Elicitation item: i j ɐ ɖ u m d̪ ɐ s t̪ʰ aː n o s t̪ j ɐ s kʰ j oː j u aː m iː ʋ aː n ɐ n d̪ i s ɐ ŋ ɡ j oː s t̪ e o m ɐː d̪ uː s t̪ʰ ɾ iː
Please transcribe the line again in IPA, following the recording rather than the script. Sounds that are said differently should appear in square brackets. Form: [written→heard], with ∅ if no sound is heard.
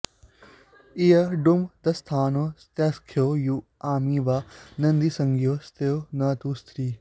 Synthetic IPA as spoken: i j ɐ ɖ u m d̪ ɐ s t̪ʰ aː n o s t̪ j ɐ s kʰ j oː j u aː m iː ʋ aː n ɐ n d̪ i s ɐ ŋ ɡ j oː s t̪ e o [m→n] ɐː [d̪→t̪] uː s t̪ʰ ɾ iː